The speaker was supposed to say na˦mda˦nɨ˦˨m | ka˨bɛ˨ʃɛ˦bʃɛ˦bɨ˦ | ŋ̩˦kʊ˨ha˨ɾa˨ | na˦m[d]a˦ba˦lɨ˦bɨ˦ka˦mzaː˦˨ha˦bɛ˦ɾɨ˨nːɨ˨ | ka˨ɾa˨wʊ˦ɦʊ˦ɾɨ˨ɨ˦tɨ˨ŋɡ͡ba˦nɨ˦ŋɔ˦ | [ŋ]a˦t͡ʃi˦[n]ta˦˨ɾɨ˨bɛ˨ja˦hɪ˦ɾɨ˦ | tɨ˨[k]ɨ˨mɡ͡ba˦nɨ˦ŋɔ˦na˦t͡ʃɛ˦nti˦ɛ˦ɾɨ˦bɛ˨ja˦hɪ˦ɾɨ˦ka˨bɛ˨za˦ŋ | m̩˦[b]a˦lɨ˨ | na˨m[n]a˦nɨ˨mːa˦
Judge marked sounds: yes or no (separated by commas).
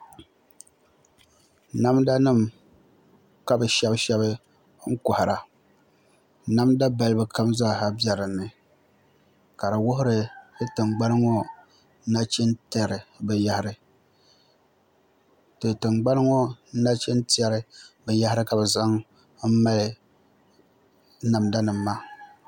yes, no, yes, no, no, no